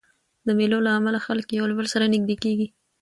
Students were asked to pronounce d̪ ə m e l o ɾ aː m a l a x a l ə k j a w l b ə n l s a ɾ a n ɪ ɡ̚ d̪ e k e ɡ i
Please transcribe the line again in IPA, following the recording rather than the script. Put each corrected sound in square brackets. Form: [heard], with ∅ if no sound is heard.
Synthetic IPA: d̪ ə m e l o [l] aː m a l a x a l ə k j a w l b ə [∅] l s a ɾ a n ɪ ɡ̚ d̪ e k e ɡ i